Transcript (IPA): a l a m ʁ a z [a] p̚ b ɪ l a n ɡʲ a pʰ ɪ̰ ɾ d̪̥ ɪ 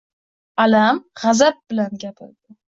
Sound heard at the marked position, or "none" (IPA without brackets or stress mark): a